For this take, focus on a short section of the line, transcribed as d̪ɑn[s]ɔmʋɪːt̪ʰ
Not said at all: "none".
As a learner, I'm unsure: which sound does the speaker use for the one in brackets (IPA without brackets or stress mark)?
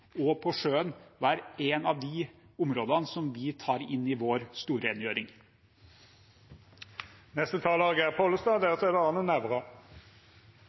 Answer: s